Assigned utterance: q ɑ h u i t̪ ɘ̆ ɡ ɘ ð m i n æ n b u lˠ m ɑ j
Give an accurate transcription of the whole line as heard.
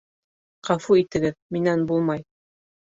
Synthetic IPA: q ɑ f u i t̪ ɘ̆ ɡ ɘ ð m i n æ n b u lˠ m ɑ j